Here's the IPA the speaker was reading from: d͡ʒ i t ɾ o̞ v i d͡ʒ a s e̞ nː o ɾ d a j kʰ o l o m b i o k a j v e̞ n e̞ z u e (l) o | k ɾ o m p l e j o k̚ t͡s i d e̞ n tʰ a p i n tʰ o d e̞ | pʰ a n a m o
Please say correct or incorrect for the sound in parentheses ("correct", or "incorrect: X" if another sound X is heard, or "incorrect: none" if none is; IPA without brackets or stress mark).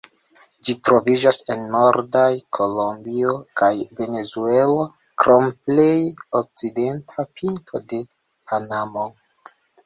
correct